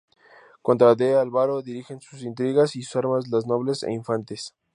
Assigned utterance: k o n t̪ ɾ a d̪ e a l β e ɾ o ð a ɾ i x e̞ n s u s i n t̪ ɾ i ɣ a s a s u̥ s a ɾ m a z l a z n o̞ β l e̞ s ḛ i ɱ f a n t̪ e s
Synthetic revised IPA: k o n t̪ ɾ a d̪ e a l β a ɾ o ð i ɾ i x e̞ n s u s i n t̪ ɾ i ɣ a s i s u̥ s a ɾ m a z l a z n o̞ β l e̞ s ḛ i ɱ f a n t̪ e s